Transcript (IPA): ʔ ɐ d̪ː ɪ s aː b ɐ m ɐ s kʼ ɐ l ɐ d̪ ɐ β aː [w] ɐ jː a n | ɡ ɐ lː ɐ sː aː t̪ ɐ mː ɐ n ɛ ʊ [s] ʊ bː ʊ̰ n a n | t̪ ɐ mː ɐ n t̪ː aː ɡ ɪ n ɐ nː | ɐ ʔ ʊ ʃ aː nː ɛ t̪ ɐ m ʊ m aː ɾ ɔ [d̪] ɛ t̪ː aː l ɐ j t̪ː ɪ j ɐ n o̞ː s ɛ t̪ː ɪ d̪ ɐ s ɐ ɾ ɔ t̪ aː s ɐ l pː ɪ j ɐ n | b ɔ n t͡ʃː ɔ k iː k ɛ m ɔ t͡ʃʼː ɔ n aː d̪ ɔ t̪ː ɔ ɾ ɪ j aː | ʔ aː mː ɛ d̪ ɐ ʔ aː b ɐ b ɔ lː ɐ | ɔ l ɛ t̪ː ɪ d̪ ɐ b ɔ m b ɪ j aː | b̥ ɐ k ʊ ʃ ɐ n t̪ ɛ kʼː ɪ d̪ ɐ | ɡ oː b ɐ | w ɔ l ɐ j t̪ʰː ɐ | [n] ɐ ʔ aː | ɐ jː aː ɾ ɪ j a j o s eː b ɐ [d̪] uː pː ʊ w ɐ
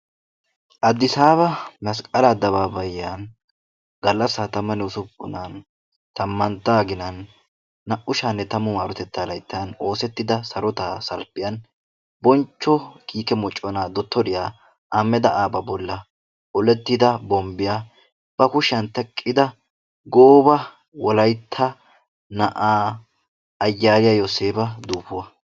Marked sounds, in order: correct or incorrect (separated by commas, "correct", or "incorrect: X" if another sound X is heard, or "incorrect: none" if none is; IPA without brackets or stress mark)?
incorrect: b, correct, incorrect: t̪, correct, correct